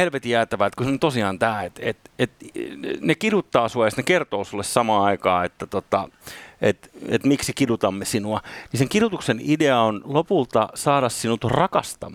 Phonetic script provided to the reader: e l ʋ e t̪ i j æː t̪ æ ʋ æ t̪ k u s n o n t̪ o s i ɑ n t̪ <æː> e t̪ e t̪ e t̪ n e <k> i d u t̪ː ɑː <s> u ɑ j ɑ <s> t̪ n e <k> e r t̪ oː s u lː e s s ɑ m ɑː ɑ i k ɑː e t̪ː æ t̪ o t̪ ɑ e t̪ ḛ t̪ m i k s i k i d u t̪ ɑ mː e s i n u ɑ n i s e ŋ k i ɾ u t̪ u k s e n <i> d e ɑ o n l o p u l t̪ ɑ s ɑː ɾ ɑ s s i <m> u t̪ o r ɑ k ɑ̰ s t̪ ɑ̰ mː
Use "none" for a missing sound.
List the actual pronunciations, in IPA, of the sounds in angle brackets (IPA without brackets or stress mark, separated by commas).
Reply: æː, k, s, s, k, i, n